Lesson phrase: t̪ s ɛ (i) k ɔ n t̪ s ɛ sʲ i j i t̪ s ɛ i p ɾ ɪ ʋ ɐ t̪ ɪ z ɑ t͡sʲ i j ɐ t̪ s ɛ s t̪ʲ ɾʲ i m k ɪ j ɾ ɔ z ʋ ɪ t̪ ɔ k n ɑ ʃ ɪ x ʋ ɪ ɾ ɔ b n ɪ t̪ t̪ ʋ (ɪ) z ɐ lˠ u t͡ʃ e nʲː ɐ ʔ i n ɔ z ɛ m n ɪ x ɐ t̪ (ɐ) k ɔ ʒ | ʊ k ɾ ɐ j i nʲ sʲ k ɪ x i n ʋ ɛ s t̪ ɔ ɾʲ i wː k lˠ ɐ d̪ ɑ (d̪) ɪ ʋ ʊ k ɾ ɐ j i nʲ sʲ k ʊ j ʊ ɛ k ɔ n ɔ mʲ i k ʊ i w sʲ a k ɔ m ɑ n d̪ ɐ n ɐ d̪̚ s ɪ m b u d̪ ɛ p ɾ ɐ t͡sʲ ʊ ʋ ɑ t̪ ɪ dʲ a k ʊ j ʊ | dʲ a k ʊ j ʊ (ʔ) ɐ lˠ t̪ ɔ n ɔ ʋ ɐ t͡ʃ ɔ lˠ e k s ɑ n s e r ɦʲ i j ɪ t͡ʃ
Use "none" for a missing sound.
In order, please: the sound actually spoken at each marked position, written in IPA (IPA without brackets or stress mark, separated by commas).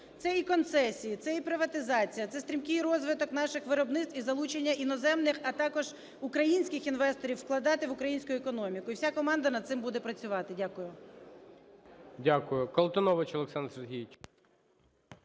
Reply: i, i, ɑ, t̪, k